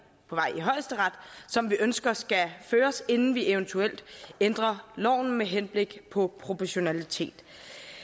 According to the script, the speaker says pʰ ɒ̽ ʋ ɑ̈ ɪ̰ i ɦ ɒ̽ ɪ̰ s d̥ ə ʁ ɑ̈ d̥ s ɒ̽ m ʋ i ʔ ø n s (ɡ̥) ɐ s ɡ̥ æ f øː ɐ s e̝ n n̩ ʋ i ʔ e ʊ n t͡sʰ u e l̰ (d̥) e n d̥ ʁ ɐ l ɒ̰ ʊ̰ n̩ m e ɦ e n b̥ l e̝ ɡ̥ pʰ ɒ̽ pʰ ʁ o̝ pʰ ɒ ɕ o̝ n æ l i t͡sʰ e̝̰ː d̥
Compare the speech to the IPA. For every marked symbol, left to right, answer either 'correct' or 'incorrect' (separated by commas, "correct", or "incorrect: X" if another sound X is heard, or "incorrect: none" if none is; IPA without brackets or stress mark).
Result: correct, correct